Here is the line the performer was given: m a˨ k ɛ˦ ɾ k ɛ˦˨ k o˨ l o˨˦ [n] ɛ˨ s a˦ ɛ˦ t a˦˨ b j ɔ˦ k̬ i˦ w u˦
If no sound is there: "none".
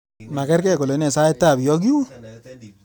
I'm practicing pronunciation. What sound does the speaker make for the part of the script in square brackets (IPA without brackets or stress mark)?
n